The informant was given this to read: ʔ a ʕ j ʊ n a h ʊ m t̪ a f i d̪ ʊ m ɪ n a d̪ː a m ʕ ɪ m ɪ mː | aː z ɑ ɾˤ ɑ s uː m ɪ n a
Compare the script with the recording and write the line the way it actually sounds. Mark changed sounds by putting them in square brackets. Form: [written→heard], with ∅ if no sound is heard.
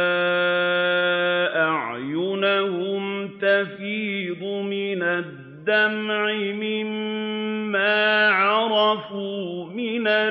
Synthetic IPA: ʔ a ʕ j ʊ n a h ʊ m t̪ a f [i→iː] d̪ ʊ m ɪ n a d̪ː a m ʕ ɪ m ɪ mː | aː [z→ʕ] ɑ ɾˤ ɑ [s→f] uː m ɪ n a